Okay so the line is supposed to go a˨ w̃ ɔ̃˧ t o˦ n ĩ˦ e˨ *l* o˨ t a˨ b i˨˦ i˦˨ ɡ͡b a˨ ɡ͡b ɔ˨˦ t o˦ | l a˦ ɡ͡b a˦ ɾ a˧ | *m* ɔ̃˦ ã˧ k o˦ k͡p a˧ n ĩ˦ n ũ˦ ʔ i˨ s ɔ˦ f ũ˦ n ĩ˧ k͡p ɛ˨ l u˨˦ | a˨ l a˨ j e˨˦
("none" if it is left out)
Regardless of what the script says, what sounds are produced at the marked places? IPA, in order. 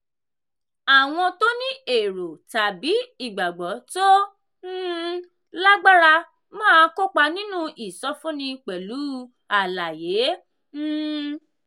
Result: ɾ, m

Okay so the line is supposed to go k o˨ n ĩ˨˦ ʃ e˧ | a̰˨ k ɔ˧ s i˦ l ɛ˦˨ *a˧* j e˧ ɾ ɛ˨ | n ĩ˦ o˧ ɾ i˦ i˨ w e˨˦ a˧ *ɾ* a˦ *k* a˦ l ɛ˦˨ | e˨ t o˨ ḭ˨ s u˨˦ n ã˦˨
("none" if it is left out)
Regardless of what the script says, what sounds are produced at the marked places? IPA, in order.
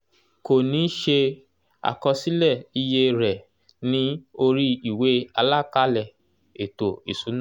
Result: i˧, l, k

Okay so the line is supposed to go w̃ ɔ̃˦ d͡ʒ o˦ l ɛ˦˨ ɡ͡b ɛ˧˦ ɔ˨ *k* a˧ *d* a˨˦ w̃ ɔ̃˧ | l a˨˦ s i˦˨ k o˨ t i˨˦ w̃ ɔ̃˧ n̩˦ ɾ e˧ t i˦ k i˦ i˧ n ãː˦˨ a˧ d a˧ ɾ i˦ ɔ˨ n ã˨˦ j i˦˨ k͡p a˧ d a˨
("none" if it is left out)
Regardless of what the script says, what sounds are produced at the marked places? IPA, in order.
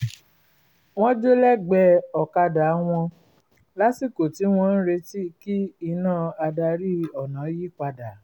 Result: k, d

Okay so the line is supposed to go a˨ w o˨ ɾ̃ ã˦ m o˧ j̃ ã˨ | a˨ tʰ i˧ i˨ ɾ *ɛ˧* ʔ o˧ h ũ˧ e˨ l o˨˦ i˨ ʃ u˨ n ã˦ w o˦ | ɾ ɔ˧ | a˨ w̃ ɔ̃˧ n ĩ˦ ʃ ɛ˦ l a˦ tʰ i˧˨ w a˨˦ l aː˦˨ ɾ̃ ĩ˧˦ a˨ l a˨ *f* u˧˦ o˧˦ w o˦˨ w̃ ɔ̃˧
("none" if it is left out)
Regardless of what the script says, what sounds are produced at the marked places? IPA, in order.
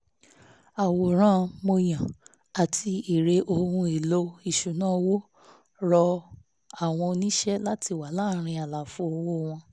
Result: e˧, f

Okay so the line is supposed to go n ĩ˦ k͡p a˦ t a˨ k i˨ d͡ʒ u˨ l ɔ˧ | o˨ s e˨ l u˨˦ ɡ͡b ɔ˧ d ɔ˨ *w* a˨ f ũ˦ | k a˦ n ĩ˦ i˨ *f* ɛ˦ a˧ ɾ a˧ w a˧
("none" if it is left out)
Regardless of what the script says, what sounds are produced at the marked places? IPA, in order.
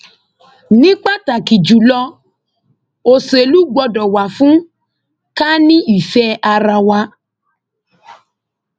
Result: w, f

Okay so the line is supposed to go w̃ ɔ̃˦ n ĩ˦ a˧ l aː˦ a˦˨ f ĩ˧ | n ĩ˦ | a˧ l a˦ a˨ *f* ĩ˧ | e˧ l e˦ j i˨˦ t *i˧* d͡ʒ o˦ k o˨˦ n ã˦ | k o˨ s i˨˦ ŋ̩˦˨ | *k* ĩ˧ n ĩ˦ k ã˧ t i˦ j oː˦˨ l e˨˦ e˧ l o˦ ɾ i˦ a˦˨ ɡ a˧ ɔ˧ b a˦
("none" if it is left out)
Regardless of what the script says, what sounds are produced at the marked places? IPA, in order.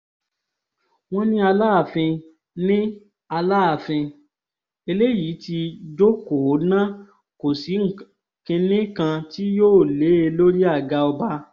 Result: f, i˧, k

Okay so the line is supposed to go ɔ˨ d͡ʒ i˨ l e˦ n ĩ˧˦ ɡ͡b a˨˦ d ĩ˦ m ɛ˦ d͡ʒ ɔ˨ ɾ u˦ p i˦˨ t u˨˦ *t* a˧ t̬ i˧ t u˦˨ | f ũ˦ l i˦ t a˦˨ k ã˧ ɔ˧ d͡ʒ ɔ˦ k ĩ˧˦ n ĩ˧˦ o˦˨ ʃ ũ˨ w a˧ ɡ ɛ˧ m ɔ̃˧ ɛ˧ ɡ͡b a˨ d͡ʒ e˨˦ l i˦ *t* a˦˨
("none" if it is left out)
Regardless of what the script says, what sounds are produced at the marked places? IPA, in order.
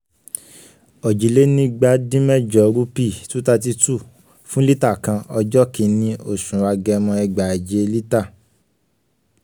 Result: t, t

